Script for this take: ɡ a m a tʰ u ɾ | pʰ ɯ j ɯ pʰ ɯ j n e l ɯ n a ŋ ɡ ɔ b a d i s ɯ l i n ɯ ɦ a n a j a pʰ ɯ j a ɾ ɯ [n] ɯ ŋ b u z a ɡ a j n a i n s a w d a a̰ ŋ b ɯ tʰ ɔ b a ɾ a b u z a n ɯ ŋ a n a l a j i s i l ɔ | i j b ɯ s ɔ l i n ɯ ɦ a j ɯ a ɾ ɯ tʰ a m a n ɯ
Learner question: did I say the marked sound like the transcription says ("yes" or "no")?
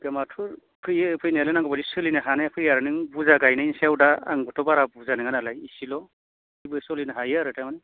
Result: yes